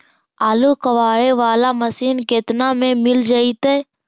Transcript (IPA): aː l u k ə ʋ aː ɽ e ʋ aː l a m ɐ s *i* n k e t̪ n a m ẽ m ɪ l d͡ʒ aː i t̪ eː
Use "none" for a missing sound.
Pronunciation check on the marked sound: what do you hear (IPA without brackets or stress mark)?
iː